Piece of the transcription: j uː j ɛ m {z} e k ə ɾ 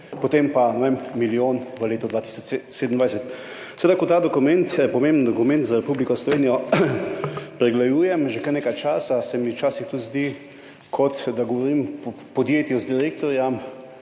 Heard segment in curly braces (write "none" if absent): ʒ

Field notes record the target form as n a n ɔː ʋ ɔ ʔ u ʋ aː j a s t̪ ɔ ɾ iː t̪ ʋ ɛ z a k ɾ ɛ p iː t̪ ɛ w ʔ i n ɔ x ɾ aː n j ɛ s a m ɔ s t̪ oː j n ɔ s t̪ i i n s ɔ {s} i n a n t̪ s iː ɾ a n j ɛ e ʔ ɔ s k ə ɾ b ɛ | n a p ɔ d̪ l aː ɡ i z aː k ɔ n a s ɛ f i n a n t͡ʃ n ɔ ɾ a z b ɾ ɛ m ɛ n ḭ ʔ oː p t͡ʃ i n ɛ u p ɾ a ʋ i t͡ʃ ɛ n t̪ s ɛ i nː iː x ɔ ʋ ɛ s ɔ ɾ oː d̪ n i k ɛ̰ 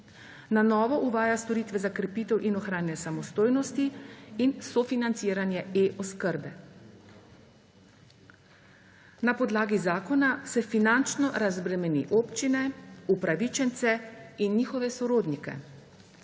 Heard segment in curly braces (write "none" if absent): f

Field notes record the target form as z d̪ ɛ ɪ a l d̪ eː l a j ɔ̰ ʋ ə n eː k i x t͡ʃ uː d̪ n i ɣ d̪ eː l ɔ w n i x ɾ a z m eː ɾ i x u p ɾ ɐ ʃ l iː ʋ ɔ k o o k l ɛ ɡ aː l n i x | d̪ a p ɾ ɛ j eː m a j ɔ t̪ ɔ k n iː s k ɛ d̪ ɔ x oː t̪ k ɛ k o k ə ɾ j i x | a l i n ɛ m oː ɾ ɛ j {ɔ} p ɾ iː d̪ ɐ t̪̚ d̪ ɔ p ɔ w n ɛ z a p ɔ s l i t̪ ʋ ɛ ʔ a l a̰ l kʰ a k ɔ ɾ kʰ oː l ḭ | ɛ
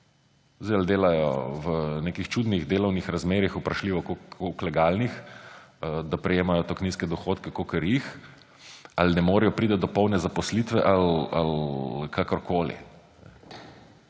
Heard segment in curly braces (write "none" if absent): ɔ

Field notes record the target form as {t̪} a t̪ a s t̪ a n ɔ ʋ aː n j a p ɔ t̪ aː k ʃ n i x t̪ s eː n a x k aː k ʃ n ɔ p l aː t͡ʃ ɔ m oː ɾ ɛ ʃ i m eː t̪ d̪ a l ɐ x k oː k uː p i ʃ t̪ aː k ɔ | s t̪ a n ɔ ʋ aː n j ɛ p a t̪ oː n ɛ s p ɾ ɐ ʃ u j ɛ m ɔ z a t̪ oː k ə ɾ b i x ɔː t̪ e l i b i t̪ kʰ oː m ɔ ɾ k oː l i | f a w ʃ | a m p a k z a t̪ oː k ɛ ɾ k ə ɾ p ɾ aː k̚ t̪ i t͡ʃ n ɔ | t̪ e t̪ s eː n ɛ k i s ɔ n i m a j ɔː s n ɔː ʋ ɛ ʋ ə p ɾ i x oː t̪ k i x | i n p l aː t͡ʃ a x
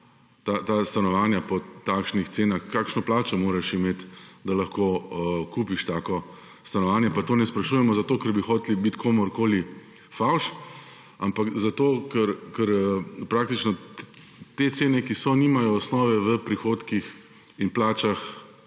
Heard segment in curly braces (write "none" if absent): t̪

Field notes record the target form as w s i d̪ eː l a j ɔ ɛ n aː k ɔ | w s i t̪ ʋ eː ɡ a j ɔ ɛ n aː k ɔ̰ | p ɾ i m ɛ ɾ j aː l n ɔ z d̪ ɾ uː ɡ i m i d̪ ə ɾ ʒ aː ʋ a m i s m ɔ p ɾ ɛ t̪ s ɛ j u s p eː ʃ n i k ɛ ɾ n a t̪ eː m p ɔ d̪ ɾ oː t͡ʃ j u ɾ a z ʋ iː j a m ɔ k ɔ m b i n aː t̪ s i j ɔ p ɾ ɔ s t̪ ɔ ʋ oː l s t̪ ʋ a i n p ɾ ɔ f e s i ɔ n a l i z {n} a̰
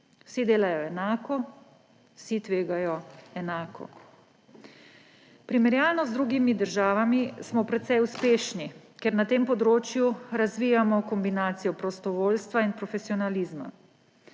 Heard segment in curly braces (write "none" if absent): m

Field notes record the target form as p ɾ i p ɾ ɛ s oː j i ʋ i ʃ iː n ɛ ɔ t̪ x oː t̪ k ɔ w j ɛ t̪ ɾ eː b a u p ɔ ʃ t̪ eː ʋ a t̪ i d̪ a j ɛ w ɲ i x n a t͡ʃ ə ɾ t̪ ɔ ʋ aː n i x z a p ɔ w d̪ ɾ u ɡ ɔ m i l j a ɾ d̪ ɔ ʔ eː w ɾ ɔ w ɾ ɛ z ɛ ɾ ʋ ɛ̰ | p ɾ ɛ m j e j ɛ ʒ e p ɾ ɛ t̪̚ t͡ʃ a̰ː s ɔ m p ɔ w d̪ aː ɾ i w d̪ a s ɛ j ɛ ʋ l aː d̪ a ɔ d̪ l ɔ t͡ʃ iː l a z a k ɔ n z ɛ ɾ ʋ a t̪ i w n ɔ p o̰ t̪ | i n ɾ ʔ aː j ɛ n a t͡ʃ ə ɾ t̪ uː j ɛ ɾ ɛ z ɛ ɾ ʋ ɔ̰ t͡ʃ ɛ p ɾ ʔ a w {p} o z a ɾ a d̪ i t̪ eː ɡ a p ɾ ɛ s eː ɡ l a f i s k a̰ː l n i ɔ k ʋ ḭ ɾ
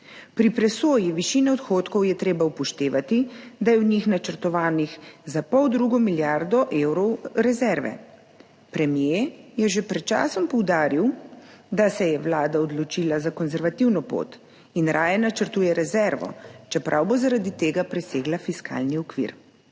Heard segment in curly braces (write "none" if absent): b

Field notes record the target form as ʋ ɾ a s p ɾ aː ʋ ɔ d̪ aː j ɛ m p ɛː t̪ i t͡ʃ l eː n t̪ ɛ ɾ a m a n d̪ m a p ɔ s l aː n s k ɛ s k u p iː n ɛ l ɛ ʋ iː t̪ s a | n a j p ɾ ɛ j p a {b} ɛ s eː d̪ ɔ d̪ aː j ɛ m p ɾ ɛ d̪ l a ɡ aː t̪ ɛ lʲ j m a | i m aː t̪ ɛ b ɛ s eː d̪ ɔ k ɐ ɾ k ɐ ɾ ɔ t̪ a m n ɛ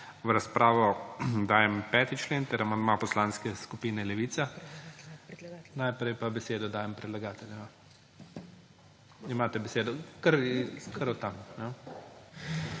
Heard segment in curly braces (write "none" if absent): b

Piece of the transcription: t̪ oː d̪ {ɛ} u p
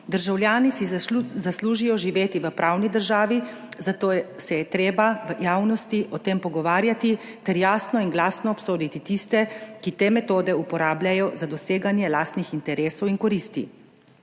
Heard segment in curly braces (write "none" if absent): ɛ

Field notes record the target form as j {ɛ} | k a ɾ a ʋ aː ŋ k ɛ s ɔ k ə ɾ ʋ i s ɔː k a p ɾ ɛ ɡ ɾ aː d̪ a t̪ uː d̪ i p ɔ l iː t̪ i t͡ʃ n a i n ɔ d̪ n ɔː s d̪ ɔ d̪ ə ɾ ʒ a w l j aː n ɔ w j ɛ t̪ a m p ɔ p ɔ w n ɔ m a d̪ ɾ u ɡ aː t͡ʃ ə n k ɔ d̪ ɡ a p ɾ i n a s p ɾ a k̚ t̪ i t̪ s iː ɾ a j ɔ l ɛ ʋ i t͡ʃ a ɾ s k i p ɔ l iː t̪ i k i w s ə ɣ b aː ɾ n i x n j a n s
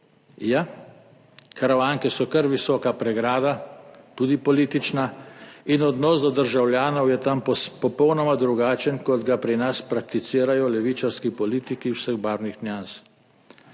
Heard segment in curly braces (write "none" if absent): a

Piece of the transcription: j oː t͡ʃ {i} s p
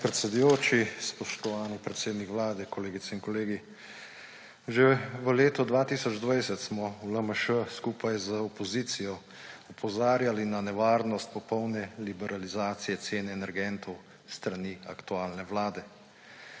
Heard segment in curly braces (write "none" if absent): i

